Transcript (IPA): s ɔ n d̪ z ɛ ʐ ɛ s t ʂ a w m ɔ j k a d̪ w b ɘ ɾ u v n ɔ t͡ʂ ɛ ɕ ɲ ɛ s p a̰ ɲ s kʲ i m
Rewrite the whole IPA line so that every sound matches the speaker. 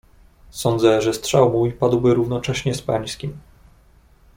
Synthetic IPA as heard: s ɔ n d̪ z ɛ ʐ ɛ s t ʂ a w m u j p a d̪ w b ɘ ɾ u v n ɔ t͡ʂ ɛ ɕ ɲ ɛ s p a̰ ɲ s kʲ i m